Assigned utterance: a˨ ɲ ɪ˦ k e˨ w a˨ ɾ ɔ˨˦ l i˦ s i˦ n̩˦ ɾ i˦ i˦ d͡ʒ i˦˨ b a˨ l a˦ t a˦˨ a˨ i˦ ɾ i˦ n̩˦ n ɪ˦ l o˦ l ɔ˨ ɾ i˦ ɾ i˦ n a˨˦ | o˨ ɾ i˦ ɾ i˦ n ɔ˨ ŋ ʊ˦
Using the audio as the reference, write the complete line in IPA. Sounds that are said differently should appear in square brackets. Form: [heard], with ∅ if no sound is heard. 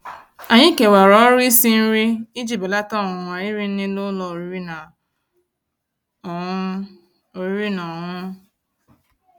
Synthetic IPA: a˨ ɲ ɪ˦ k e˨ w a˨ ɾ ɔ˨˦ [ɾ] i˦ s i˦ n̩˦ ɾ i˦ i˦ d͡ʒ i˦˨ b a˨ l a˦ t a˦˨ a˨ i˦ ɾ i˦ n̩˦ n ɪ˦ l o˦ l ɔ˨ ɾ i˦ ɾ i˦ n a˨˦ | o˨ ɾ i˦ ɾ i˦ n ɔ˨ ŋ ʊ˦

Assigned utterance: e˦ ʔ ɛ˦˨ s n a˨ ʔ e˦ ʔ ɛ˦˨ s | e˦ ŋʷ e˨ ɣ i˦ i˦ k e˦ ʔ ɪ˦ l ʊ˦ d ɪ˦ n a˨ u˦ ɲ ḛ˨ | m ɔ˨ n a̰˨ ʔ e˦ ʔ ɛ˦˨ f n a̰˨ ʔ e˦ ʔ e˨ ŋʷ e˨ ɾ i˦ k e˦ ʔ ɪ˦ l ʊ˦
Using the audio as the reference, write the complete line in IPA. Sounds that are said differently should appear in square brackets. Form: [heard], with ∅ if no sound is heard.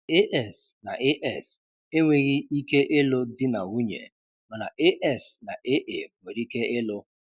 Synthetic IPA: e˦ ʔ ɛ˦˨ s n a˨ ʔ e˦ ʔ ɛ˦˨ s | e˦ ŋʷ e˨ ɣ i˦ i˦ k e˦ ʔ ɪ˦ l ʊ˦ d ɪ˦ n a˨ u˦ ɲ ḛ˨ | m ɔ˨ n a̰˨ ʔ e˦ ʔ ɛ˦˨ [s] n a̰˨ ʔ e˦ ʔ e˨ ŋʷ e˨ ɾ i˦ k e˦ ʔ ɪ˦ l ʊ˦

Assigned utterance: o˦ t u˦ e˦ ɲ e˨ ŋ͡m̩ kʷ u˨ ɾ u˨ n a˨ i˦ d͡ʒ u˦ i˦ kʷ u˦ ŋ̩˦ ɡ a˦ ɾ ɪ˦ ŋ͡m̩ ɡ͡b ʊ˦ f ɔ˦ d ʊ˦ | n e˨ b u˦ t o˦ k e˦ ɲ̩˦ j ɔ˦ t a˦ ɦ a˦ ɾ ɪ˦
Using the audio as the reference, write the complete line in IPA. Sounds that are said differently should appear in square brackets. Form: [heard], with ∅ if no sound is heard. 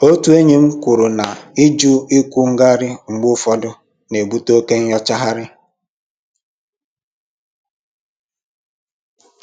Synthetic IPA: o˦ t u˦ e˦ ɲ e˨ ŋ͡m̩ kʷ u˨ ɾ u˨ n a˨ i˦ d͡ʒ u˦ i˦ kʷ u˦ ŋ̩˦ ɡ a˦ ɾ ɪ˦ ŋ͡m̩ ɡ͡b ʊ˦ f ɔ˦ d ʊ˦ | n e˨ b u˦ t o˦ k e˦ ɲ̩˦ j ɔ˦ [t͡ʃ] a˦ ɦ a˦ ɾ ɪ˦

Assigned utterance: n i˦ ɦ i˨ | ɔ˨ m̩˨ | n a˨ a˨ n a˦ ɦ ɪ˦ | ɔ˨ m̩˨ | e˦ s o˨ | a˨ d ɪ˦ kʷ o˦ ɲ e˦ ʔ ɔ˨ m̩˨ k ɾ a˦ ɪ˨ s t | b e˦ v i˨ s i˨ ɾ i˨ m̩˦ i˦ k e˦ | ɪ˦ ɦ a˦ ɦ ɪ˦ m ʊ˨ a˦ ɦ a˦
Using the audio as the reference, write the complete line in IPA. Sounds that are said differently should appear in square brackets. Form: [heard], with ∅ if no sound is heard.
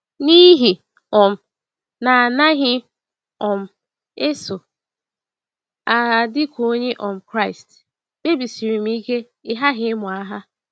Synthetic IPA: n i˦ ɦ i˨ | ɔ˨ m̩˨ | n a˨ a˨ n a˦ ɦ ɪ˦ | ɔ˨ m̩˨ | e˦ s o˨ | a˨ d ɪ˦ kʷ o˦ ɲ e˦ ʔ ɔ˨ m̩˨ k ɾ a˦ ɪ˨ s t | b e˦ [b] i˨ s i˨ ɾ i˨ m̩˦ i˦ k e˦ | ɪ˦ ɦ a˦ ɦ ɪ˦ m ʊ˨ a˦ ɦ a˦

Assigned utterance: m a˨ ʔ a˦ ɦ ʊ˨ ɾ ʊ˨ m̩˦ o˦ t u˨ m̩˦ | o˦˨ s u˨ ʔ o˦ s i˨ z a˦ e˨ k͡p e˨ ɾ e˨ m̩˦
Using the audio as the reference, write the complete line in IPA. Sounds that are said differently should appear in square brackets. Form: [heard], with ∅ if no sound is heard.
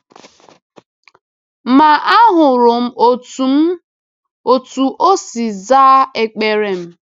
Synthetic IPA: m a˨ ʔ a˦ ɦ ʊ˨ ɾ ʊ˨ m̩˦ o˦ t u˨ m̩˦ | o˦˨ [t] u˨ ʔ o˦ s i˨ z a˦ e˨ k͡p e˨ ɾ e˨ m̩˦

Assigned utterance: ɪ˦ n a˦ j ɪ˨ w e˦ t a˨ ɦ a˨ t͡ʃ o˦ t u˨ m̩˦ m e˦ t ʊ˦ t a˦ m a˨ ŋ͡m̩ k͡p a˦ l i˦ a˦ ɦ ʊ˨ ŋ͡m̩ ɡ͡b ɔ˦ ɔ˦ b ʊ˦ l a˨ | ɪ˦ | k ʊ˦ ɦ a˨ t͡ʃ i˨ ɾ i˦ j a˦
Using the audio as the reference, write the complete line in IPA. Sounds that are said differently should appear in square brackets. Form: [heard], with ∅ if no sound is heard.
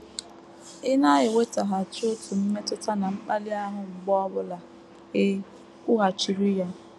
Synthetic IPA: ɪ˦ n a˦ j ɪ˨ w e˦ t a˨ ɦ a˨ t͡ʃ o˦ t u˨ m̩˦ m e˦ t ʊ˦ t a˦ [n] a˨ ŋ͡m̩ k͡p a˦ l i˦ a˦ ɦ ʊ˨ ŋ͡m̩ ɡ͡b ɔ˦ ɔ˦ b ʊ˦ l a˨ | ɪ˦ | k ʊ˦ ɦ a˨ t͡ʃ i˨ ɾ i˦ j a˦

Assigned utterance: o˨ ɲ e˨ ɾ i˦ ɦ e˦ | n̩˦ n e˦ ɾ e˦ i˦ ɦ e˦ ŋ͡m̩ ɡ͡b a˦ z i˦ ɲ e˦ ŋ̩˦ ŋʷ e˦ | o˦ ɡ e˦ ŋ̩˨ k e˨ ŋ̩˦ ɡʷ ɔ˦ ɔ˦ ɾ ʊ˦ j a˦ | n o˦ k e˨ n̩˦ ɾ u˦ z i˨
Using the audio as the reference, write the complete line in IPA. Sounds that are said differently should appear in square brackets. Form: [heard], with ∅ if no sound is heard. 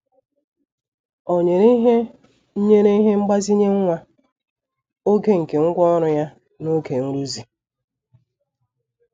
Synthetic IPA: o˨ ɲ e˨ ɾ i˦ ɦ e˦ | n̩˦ [ɲ] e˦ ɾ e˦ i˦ ɦ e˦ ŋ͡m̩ ɡ͡b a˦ z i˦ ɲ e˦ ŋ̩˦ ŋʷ [a˦] | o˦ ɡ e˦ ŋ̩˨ k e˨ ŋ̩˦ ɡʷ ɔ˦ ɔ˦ ɾ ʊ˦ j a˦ | n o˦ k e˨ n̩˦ ɾ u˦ z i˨

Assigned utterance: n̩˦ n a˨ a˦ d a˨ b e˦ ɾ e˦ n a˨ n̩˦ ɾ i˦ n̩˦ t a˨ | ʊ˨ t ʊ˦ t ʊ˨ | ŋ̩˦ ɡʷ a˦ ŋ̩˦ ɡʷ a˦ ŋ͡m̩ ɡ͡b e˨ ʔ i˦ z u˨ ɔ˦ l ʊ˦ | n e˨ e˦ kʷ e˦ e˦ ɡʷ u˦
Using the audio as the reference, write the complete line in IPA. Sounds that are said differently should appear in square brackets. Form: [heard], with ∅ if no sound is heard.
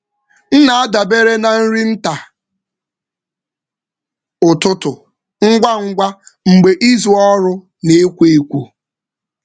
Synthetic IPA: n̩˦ n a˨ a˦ d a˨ b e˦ ɾ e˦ n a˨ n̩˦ ɾ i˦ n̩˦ t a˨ | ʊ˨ t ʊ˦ t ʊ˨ | ŋ̩˦ ɡʷ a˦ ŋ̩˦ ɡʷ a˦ ŋ͡m̩ ɡ͡b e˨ ʔ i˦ z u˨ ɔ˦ [ɾ] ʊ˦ | n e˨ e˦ kʷ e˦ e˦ [kʷ] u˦

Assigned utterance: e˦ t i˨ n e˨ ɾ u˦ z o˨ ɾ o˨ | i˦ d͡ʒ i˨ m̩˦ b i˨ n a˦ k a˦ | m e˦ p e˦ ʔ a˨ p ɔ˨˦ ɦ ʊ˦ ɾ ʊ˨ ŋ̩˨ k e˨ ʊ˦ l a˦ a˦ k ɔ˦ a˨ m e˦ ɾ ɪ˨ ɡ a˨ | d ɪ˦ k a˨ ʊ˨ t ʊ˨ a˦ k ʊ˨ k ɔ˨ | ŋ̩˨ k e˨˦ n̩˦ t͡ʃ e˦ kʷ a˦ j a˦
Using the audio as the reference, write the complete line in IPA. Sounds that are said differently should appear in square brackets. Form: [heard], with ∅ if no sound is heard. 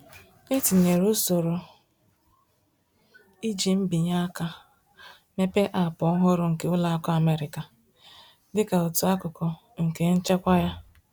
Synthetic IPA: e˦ t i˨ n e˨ ɾ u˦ [s] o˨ ɾ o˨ | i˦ d͡ʒ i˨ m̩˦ b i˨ [ɲ] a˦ k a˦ | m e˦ p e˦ ʔ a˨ p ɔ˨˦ ɦ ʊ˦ ɾ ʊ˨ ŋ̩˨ k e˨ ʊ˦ l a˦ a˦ k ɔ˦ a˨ m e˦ ɾ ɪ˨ [k] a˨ | d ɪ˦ k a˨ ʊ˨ t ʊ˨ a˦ k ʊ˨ k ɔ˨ | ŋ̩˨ k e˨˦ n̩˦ t͡ʃ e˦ kʷ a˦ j a˦

